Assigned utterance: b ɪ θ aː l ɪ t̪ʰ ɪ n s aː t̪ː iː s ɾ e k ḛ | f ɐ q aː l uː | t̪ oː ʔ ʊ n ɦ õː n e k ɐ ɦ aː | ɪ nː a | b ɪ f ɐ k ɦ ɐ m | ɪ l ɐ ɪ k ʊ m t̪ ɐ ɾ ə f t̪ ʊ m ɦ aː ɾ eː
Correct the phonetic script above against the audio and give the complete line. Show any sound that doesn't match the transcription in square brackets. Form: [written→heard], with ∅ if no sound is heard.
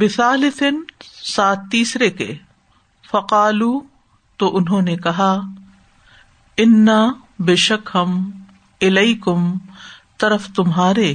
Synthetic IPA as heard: b ɪ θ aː l ɪ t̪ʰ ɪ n s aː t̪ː iː s ɾ e k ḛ | f ɐ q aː l uː | t̪ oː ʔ ʊ n ɦ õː n e k ɐ ɦ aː | ɪ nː a | b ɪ [f→ʃ] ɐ k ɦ ɐ m | ɪ l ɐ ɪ k ʊ m t̪ ɐ ɾ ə f t̪ ʊ m ɦ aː ɾ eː